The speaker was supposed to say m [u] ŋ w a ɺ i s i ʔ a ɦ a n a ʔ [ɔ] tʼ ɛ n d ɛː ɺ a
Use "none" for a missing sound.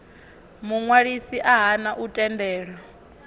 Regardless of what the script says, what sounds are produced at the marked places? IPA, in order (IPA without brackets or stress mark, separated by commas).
u, u